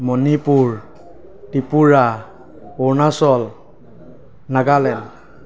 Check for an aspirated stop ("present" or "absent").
absent